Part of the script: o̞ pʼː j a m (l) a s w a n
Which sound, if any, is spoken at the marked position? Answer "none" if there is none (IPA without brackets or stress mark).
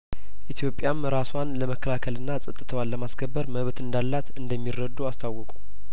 ɾ